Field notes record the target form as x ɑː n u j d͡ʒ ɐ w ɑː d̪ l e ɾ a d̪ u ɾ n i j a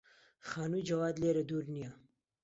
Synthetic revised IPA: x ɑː n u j d͡ʒ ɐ w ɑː d̪ l e ɾ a d̪ u ɾ n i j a